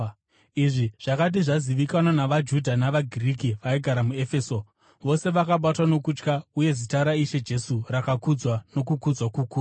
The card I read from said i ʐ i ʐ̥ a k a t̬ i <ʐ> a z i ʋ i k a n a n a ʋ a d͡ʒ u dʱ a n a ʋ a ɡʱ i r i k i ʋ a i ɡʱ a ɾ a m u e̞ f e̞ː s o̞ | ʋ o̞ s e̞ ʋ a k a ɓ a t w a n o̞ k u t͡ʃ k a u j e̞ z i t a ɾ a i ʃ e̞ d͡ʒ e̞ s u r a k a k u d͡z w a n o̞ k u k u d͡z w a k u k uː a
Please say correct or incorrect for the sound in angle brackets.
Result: correct